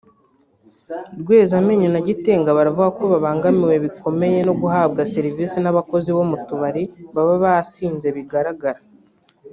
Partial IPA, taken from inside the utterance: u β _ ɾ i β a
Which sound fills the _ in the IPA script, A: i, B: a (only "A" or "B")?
B